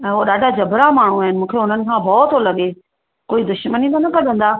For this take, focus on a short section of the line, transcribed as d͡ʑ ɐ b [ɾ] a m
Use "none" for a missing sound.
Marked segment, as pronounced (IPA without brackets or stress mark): ɾ